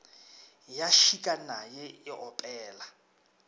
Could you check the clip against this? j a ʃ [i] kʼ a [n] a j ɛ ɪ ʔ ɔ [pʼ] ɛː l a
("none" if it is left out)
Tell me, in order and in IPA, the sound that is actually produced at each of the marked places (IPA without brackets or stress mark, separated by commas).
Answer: i, n, pʼ